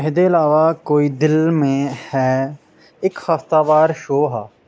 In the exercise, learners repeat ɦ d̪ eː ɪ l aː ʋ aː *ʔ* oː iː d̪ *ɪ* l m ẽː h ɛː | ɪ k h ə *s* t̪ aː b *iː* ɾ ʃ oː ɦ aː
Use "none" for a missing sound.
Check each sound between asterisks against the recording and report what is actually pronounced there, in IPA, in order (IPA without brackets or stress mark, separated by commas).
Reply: k, ɪ, f, aː